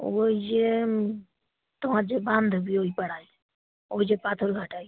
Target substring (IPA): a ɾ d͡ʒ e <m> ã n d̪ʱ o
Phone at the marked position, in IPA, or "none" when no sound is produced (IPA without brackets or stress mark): b